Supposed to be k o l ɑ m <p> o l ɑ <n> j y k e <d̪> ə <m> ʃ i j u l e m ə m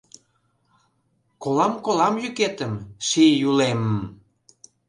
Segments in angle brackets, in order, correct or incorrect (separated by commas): incorrect, incorrect, incorrect, correct